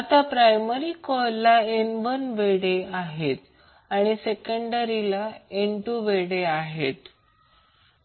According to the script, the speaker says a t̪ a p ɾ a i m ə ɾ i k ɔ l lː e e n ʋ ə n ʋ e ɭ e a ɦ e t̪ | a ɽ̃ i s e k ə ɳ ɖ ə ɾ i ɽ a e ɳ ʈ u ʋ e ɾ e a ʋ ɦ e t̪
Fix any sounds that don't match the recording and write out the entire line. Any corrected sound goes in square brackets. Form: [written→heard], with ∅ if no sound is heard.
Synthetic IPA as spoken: a t̪ a p ɾ a [i→j] m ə ɾ i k ɔ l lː [e→a] e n ʋ ə n ʋ e [ɭ→ɽ] e a ɦ e t̪ | a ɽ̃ i s e k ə ɳ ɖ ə ɾ i [ɽ→l] a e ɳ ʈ u ʋ e [ɾ→ɽ] e a [ʋ→∅] ɦ e t̪